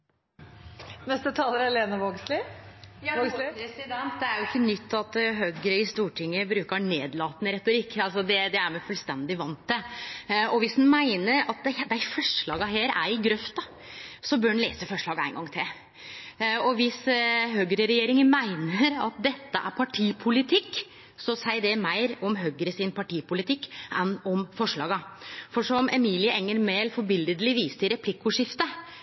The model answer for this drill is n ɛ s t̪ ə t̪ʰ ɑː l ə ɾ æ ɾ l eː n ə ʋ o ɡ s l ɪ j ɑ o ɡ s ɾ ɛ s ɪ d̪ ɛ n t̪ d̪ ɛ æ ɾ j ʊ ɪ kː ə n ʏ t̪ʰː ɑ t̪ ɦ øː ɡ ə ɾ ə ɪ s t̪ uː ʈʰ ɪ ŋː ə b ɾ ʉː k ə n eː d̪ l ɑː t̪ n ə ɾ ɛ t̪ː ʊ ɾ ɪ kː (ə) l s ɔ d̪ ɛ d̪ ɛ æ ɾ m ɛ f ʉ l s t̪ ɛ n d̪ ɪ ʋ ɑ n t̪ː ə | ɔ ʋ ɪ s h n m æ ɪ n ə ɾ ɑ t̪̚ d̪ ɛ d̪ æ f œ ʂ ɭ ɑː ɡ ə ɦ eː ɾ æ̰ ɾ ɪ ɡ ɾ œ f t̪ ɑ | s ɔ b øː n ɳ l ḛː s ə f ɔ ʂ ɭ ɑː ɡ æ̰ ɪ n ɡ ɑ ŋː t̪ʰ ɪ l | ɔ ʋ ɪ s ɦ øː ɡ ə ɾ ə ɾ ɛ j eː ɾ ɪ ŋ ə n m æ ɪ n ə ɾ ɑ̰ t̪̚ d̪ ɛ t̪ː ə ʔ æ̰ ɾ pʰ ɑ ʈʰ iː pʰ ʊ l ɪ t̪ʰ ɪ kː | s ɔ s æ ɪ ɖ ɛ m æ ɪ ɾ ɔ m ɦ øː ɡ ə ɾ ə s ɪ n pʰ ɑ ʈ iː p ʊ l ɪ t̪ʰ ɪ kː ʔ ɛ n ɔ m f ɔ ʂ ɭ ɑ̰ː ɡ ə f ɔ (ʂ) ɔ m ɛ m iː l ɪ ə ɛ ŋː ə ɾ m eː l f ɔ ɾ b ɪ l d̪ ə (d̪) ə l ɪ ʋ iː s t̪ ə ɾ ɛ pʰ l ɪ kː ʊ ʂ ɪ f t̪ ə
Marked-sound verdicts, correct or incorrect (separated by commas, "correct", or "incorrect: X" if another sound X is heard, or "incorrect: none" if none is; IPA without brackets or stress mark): incorrect: ɑ, correct, correct